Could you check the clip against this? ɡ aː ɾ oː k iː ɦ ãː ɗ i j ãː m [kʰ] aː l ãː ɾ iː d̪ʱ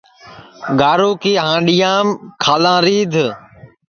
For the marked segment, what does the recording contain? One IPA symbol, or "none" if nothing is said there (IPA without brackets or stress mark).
kʰ